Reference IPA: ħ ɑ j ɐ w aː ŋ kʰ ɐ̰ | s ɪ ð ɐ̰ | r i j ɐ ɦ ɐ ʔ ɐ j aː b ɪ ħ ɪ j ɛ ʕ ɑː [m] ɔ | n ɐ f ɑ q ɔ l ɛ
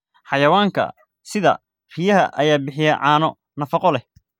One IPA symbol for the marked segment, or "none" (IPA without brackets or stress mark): n